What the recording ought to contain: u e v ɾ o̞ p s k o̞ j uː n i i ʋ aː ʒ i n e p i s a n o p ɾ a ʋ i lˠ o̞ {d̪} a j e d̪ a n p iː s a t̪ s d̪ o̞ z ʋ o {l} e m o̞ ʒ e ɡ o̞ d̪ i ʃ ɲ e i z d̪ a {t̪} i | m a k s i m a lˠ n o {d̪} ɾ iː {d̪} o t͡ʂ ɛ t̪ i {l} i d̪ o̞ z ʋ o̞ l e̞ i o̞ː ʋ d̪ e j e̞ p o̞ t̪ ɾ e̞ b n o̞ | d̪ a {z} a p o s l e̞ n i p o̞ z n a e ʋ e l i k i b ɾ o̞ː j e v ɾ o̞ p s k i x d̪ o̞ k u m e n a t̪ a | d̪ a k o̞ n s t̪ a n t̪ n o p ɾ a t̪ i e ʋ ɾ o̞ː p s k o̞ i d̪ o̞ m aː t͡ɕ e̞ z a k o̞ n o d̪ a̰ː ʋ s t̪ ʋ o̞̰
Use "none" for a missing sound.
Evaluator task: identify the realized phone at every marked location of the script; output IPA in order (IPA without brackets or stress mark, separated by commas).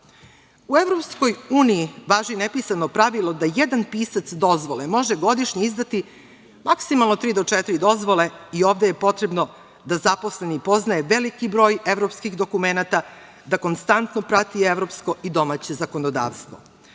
d̪, l, t̪, t̪, d̪, ɾ, z